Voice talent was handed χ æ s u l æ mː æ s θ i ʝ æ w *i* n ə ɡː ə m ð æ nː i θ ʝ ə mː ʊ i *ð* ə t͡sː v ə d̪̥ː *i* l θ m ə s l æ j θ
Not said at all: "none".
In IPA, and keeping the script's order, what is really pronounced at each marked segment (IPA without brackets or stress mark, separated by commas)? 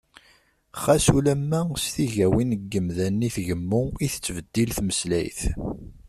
i, θ, i